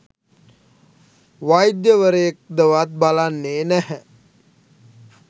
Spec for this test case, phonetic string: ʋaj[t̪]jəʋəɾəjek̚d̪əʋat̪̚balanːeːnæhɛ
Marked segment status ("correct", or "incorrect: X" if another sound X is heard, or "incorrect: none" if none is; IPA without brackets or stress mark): incorrect: d̪